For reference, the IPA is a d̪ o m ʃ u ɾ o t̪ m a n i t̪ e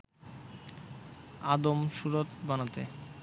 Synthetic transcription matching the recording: a d̪ o m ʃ u ɾ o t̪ b a n a t̪ e